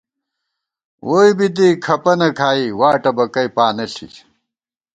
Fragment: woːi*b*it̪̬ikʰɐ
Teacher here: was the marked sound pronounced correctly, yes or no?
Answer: yes